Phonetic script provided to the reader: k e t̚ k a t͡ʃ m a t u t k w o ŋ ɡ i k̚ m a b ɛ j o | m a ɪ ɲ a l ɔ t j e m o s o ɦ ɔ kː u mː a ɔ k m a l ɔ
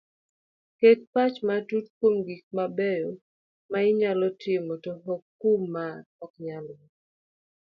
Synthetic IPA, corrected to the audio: k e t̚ p a t͡ʃ m a t u t k w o m ɡ i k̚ m a b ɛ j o | m a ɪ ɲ a l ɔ t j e m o t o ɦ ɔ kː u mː a ɔ k ɲ a l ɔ